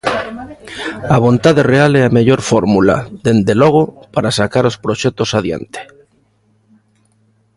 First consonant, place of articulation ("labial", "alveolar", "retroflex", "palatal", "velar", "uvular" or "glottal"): labial